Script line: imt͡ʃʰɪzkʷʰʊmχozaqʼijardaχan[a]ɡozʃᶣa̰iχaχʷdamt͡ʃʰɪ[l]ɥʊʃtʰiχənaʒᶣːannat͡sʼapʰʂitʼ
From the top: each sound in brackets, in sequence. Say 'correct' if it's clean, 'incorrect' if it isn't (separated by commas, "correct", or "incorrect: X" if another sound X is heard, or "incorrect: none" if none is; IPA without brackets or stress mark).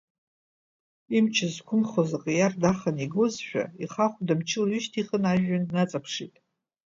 incorrect: i, correct